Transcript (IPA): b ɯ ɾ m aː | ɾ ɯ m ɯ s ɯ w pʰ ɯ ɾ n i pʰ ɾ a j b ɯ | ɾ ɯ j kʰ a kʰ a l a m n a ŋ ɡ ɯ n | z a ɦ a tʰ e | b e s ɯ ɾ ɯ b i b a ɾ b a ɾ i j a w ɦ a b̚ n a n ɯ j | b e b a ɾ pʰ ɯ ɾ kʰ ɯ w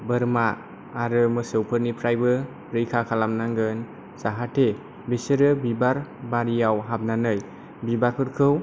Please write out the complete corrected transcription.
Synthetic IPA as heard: b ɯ ɾ m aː | ɾ ɯ m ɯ s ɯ w pʰ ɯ ɾ n i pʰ ɾ a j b ɯ | ɾ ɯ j kʰ a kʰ a l a m n a ŋ ɡ ɯ n | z a ɦ a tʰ e | b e s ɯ ɾ ɯ b i b a ɾ b a ɾ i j a w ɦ a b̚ n a n ɯ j | b i b a ɾ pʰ ɯ ɾ kʰ ɯ w

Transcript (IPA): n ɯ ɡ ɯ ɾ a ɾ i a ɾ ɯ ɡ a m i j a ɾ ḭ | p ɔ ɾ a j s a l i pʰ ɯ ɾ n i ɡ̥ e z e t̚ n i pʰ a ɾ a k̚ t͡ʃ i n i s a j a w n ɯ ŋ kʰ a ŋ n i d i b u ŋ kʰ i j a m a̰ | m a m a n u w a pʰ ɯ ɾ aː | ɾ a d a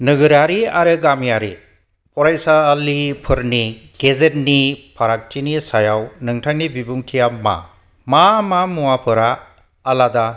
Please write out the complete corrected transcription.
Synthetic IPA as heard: n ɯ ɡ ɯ ɾ a ɾ i a ɾ ɯ ɡ a m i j a ɾ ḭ | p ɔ ɾ a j s a l i pʰ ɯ ɾ n i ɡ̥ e z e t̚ n i pʰ a ɾ a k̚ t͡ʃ i n i s a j a w n ɯ ŋ tʰ a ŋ n i b i b u ŋ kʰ i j a m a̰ | m a m a m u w a pʰ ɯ ɾ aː | l a d a

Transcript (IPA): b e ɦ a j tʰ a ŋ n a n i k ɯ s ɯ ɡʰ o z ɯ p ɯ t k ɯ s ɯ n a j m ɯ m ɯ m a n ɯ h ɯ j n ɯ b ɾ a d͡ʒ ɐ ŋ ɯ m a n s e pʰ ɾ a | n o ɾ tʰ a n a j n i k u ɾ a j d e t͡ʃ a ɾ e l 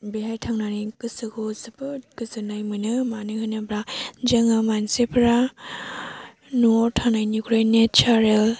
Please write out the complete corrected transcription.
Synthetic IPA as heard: b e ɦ a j tʰ a ŋ n a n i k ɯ s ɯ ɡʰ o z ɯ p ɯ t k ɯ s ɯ n a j m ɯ n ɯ m a n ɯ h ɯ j n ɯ b ɾ a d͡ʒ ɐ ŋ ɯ m a n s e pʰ ɾ a | n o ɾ tʰ a n a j n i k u ɾ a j n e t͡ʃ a ɾ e l

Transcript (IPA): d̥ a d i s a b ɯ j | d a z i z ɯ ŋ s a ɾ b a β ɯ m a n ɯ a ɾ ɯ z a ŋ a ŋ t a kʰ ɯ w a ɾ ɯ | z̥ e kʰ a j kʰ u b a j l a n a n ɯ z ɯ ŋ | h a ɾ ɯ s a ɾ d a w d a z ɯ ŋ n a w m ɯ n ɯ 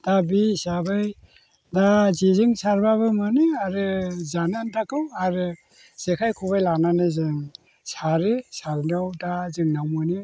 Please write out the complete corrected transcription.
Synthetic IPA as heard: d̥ a b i s a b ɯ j | d a z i z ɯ ŋ s a ɾ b a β ɯ m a n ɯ a ɾ ɯ z a n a n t a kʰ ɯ w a ɾ ɯ | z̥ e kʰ a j kʰ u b a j l a n a n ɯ z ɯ ŋ | s a ɾ ɯ s a ɾ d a w d a z ɯ ŋ n a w m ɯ n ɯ

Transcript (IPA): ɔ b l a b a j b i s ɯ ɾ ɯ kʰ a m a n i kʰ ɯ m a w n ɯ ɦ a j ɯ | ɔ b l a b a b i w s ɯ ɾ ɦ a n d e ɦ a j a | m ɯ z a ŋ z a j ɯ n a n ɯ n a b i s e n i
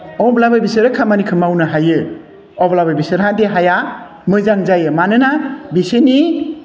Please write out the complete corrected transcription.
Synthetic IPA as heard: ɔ b l a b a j b i s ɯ ɾ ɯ kʰ a m a n i kʰ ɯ m a w n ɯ ɦ a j ɯ | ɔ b l a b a b i s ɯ ɾ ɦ a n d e ɦ a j a | m ɯ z a ŋ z a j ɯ m a n ɯ n a b i s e n i

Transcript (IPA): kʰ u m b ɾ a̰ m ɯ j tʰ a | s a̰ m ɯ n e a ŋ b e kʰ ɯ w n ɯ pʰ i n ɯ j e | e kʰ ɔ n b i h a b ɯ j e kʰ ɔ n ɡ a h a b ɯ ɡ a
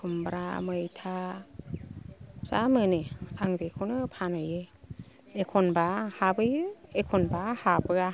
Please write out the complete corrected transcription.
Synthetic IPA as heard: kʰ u m b ɾ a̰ m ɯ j tʰ a | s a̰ m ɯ n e a ŋ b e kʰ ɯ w n ɯ pʰ a n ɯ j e | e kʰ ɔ n b a h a b ɯ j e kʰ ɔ n b a h a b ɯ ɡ a

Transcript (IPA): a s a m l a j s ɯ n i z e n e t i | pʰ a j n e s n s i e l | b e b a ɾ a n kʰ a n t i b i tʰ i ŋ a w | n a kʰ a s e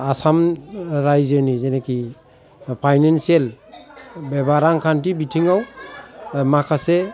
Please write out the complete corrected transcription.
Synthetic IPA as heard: a s a m ɾ a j z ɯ n i z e n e k i | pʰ a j n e n s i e l | b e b a ɾ a ŋ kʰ a n t i b i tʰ i ŋ a w | m a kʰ a s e

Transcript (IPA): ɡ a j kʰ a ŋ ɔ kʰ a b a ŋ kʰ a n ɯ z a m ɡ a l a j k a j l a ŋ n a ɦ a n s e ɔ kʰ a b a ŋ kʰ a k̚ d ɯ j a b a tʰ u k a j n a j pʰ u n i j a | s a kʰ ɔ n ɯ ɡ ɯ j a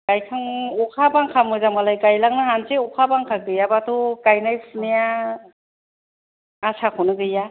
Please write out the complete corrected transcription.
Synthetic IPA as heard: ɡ a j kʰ a ŋ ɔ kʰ a b a ŋ kʰ a m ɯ z a m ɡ a l a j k a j l a ŋ n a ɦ a n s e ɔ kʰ a b a ŋ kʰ a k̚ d ɯ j a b a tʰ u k a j n a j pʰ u n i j a | s a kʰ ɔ n ɯ ɡ ɯ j a

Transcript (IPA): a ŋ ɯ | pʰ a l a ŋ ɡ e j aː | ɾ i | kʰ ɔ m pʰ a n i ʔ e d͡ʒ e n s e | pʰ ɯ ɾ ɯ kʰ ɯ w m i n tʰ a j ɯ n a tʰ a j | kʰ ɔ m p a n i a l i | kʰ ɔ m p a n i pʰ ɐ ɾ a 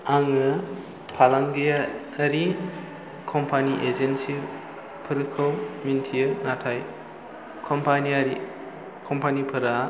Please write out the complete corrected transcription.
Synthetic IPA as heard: a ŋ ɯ | pʰ a l a ŋ ɡ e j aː | ɾ i | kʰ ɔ m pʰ a n i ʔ e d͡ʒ e n s i | pʰ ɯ ɾ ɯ kʰ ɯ w m i n tʰ i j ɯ n a tʰ a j | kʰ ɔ m p a n i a ɾ i | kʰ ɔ m p a n i pʰ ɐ ɾ a

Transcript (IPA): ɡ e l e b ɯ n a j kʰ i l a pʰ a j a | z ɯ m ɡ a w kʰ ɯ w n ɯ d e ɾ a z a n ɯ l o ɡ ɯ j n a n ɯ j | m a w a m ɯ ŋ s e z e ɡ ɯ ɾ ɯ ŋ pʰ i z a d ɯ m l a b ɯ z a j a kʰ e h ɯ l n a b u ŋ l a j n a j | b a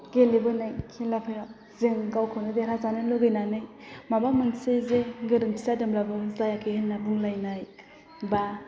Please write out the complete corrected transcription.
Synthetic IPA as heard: ɡ e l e b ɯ n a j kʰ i l a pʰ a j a | z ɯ ŋ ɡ a w kʰ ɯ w n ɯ d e ɾ a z a n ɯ l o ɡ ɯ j n a n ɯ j | m a b a m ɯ ŋ s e z e ɡ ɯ ɾ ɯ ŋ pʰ i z a d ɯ m l a b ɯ z a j a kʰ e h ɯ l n a b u ŋ l a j n a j | b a

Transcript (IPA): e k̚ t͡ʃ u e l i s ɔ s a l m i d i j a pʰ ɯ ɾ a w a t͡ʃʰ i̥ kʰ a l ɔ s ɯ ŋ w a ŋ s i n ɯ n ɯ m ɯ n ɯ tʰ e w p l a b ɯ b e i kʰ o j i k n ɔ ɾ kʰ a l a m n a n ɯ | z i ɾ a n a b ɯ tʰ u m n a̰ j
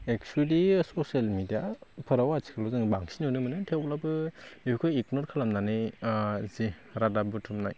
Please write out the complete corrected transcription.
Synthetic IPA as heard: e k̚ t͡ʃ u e l i s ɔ s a l m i d i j a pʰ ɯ ɾ a w a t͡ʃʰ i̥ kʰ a l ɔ z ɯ ŋ b a ŋ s i n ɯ n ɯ m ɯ n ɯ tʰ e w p l a b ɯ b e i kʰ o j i k n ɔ ɾ kʰ a l a m n a n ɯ | z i ɾ a d a b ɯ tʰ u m n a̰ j

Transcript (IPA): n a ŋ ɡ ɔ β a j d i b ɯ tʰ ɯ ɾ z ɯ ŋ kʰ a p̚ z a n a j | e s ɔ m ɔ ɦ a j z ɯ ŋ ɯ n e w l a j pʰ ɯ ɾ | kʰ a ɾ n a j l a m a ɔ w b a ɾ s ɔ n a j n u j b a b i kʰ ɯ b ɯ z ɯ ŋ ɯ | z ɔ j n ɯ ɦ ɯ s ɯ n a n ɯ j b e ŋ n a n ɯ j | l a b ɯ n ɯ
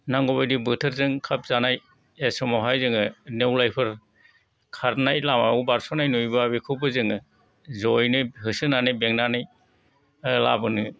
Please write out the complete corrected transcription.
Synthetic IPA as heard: n a ŋ ɡ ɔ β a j d i b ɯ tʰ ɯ ɾ z ɯ ŋ kʰ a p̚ z a n a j | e s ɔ m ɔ ɦ a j z ɯ ŋ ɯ n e w l a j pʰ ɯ ɾ | kʰ a ɾ n a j l a m a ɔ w b a ɾ s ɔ n a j n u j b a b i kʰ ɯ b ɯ z ɯ ŋ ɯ | z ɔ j n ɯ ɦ ɯ s ɯ n a n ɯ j b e ŋ n a n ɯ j | l a b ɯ n ɯ

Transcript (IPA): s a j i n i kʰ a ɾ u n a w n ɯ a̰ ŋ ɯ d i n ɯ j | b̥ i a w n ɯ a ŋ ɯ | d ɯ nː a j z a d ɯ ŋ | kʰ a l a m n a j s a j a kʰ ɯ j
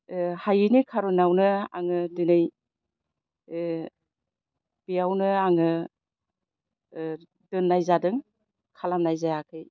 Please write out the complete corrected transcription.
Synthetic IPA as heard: h a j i n i kʰ a ɾ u n a w n ɯ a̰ ŋ ɯ d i n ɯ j | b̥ i a w n ɯ a ŋ ɯ | d ɯ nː a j z a d ɯ ŋ | kʰ a l a m n a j z a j a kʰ ɯ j

